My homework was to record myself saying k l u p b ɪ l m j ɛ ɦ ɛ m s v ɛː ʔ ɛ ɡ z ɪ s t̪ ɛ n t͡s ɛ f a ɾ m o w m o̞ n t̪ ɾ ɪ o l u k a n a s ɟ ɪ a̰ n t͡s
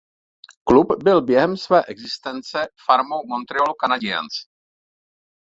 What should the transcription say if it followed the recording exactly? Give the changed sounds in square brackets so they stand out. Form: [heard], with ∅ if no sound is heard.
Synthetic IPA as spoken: k l u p b ɪ l [b] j ɛ ɦ ɛ m s v ɛː ʔ ɛ ɡ z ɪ s t̪ ɛ n t͡s ɛ f a ɾ m o w m o̞ n t̪ ɾ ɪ o l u k a n a [∅] ɟ ɪ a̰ n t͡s